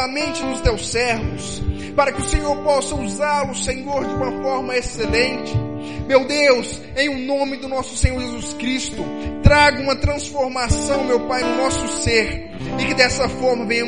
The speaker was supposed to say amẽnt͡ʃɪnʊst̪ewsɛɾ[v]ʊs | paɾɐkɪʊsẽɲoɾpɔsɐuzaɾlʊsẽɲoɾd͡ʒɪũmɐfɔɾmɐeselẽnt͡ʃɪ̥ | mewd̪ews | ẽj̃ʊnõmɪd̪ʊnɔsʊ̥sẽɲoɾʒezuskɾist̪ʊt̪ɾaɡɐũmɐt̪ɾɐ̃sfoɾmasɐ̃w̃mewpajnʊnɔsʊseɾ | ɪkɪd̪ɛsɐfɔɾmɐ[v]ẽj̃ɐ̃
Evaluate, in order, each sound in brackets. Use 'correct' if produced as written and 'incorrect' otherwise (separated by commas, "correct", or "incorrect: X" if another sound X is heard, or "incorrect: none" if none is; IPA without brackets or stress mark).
correct, correct